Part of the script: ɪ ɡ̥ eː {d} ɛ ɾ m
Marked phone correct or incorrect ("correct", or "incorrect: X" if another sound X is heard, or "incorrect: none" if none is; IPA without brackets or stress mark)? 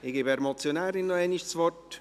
incorrect: b